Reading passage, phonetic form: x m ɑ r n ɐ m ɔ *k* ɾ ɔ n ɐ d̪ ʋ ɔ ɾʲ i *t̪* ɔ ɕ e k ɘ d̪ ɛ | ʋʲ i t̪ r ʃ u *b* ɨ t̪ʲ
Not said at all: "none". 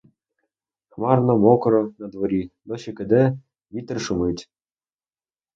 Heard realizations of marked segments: k, d̪, m

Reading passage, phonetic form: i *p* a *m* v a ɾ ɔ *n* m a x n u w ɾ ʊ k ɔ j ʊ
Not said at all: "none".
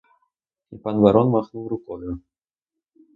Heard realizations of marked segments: p, n, n

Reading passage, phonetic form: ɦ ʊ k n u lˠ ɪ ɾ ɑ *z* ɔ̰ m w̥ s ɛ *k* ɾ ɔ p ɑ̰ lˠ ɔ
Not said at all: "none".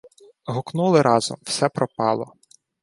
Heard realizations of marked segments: z, p

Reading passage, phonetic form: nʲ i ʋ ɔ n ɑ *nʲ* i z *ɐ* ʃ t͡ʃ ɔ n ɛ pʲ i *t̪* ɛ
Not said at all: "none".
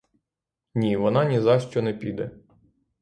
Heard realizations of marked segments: nʲ, ɑ, d̪

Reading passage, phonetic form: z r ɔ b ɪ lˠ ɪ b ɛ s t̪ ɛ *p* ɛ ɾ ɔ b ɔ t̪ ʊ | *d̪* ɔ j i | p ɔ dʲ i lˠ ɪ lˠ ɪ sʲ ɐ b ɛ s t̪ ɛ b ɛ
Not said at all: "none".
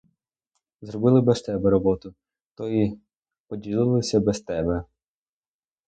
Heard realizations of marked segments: b, t̪

